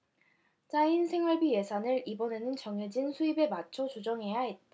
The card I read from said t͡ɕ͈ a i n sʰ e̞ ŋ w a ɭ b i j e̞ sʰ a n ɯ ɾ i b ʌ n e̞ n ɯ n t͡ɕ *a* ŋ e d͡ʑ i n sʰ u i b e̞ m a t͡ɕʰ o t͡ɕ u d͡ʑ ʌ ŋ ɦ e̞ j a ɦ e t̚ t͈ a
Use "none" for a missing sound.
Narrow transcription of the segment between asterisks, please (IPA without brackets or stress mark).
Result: ʌ